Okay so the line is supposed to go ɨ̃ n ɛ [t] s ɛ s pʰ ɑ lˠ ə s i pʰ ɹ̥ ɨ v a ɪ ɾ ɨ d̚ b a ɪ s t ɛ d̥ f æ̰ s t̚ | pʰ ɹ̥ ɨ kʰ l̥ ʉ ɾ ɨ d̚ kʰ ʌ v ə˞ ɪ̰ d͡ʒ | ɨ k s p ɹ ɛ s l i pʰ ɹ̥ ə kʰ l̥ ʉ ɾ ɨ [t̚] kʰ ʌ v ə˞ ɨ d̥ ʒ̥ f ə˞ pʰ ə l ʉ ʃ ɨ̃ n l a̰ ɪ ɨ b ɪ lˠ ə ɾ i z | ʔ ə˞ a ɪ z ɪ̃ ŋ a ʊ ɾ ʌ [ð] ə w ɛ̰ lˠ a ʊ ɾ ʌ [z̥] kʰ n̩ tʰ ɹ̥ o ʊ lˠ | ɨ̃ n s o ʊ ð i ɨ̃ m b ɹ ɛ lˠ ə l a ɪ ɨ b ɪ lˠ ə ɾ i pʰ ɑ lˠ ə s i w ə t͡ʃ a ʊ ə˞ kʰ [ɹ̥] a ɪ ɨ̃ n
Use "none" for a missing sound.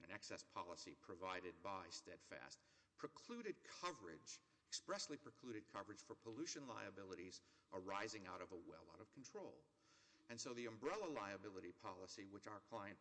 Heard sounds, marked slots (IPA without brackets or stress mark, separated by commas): k, d̚, v, v̥, l̥